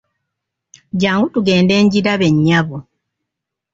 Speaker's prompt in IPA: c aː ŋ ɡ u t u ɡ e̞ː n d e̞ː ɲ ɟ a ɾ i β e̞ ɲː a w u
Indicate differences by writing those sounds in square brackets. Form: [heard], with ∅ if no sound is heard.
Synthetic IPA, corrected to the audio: [ɟ] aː ŋ ɡ u t u ɡ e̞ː n d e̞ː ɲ ɟ [i] ɾ [a] β e̞ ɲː a [β] u